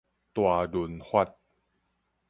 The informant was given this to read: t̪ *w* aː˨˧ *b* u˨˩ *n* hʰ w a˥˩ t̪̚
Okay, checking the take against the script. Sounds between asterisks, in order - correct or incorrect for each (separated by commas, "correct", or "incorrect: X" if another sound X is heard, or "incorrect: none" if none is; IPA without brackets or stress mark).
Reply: correct, incorrect: d, correct